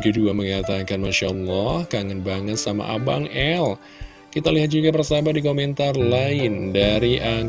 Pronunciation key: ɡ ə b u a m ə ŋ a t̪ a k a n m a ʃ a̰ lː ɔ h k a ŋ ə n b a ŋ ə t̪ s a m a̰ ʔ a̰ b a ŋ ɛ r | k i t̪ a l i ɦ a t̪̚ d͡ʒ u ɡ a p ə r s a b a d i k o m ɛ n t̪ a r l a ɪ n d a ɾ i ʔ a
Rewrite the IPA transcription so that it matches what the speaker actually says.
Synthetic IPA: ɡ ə d u a m ə ŋ a t̪ a k a n m a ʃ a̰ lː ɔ h k a ŋ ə n b a ŋ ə t̪ s a m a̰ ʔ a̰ b a ŋ ɛ l | k i t̪ a l i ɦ a t̪̚ d͡ʒ u ɡ a p ə r s a b a d i k o m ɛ n t̪ a r l a ɪ n d a ɾ i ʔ a